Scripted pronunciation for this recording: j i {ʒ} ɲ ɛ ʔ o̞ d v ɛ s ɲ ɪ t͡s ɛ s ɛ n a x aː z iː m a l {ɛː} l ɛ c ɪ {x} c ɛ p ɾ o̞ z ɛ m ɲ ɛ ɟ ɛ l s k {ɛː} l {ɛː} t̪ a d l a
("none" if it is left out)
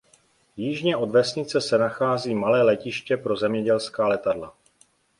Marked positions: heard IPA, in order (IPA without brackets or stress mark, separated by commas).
ʒ, ɛː, ʃ, aː, ɛ